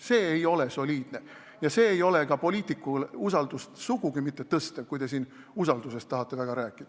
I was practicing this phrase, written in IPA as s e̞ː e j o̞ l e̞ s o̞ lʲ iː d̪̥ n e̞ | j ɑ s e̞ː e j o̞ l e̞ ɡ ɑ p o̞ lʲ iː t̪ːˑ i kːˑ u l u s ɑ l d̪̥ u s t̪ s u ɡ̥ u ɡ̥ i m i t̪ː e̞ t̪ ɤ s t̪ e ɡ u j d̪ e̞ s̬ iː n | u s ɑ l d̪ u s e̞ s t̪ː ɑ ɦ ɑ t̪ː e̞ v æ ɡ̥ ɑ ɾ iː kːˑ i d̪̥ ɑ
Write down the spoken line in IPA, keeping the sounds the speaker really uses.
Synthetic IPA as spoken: s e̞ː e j o̞ l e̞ s o̞ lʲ iː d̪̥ n e̞ | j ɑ s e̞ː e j o̞ l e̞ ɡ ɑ p o̞ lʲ iː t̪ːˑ i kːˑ u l u s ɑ l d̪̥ u s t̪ s u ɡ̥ u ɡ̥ i m i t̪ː e̞ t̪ ɤ s t̪ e k u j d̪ e̞ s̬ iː n | u s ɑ l d̪ u s e̞ s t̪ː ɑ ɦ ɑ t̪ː e̞ v æ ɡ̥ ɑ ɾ æː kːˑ i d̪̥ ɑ